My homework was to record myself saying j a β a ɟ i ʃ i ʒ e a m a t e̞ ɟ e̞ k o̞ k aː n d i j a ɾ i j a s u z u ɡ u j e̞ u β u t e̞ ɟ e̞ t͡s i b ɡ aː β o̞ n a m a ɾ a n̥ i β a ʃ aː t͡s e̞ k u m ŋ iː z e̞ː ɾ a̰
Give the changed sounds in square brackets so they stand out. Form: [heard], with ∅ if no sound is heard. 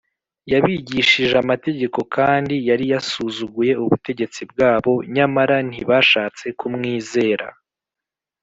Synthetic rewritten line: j a β [i] ɟ i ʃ i ʒ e a m a t e̞ ɟ e̞ k o̞ k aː n d i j a ɾ i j a s u z u ɡ u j e̞ u β u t e̞ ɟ e̞ t͡s i b ɡ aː β o̞ [ɲ] a m a ɾ a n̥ i β a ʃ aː t͡s e̞ k u m ŋ iː z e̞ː ɾ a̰